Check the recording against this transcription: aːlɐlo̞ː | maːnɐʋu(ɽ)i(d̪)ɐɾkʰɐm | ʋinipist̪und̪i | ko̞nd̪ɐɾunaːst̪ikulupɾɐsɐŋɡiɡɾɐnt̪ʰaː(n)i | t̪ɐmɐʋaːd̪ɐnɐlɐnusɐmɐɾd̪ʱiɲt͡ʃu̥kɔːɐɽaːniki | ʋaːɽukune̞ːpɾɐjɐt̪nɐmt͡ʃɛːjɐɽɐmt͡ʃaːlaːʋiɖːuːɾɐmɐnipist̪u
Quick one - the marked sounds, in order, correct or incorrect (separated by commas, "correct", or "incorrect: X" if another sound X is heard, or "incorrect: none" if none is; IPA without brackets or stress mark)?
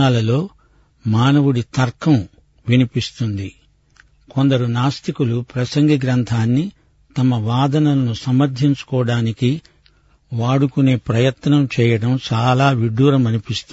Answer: correct, incorrect: t̪, incorrect: nː